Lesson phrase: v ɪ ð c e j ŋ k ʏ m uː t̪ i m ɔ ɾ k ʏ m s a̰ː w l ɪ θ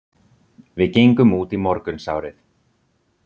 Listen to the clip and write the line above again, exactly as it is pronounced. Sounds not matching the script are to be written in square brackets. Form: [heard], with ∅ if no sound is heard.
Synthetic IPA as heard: v ɪ ð c e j ŋ k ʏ m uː t̪ i m ɔ ɾ k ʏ [n] s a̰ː w [ɾ] ɪ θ